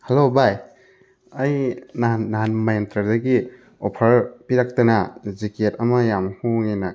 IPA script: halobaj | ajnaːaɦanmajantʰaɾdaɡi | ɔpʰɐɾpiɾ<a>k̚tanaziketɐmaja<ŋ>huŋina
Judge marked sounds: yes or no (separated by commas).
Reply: yes, no